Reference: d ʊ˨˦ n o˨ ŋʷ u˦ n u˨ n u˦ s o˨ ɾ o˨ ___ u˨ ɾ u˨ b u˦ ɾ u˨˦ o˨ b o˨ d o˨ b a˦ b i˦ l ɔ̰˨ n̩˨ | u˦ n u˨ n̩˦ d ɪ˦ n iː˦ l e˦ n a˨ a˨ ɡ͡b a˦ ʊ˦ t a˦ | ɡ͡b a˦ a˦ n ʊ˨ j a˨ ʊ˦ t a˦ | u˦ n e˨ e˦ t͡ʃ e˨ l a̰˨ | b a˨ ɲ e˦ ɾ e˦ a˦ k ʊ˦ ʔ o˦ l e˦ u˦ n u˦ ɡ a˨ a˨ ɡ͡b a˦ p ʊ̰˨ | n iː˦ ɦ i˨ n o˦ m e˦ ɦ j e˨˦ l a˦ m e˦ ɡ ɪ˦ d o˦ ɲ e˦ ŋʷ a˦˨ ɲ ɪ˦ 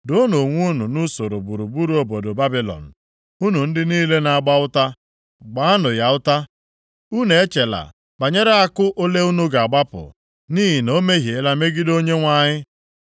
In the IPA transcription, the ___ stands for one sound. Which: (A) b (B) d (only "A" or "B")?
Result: A